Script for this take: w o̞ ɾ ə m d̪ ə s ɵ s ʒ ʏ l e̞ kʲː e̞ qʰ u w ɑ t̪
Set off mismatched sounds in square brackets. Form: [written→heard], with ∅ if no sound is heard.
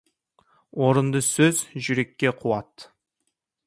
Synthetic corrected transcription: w o̞ ɾ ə [m→n] d̪ ə s ɵ [s→z] ʒ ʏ [l→ɾ] e̞ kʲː e̞ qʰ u w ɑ t̪

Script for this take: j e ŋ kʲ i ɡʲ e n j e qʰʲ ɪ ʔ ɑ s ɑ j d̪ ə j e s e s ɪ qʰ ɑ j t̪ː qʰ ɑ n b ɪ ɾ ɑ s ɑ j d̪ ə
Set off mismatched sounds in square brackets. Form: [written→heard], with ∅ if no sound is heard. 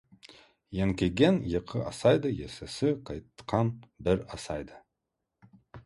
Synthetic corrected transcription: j e ŋ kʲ [i→e] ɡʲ e n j e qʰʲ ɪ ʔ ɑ s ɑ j d̪ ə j e s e s ɪ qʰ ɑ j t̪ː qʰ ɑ n b ɪ ɾ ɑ s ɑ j d̪ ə

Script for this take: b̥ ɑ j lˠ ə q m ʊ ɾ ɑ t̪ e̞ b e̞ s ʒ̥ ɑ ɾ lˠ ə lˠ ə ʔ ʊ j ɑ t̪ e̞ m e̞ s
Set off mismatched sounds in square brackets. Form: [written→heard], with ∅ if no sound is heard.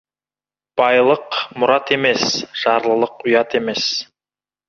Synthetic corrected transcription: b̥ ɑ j lˠ ə q m ʊ ɾ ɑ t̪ e̞ [b→m] e̞ s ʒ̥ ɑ ɾ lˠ ə lˠ ə [ʔ→q] ʊ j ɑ t̪ e̞ m e̞ s

